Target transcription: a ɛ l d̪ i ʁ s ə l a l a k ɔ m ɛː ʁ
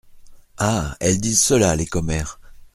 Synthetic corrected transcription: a ɛ l d̪ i z s ə l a l e k ɔ m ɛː ʁ